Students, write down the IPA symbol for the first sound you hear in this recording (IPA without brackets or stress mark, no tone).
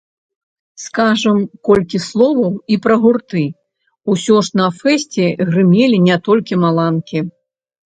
s